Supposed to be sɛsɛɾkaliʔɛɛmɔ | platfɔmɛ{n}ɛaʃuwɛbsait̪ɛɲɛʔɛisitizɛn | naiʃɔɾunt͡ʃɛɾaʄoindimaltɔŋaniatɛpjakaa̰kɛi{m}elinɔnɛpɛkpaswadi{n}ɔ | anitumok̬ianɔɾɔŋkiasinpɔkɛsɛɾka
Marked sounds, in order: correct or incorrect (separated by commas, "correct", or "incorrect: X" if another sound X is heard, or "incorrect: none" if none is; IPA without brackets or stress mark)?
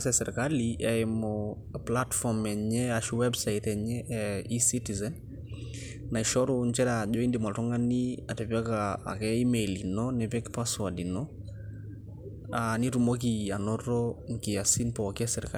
incorrect: ɲ, correct, correct